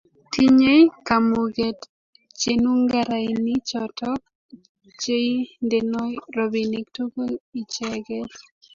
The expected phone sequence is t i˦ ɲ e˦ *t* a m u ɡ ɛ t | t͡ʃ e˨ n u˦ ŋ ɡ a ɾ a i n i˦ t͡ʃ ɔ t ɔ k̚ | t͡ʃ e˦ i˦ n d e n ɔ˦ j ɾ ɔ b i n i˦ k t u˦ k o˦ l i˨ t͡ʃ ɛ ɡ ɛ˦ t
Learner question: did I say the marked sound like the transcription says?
no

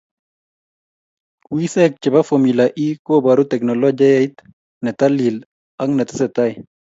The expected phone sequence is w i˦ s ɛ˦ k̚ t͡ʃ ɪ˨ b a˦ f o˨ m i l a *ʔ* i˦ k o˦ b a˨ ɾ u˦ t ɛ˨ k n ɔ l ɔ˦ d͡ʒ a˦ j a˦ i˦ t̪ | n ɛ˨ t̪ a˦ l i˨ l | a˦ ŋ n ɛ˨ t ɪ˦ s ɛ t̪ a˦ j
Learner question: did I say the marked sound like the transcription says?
yes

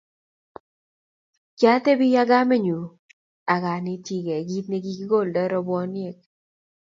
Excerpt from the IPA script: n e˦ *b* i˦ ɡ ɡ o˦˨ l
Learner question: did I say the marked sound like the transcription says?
no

